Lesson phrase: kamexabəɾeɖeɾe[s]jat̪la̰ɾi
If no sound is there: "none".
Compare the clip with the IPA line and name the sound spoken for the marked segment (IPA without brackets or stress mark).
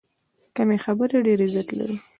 z